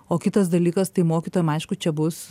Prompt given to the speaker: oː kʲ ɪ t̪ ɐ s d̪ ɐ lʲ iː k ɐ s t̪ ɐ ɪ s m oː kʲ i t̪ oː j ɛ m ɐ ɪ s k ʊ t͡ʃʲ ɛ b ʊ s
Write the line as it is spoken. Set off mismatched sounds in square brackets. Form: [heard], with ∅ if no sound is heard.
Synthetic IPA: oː kʲ ɪ t̪ ɐ s d̪ ɐ lʲ iː k ɐ s t̪ ɐ ɪ [∅] m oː kʲ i t̪ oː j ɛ m ɐ ɪ [ʃ] k ʊ t͡ʃʲ ɛ b ʊ s